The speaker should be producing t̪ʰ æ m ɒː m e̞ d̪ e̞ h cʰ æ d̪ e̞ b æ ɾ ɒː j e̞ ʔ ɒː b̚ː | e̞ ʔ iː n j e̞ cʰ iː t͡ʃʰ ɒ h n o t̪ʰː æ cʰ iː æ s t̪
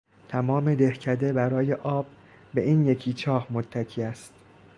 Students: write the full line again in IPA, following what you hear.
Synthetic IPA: t̪ʰ æ m ɒː m e̞ d̪ e̞ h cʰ æ d̪ e̞ b æ ɾ ɒː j e̞ ʔ ɒː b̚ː | e̞ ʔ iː n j e̞ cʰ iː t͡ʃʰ ɒː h m o t̪ʰː æ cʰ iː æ s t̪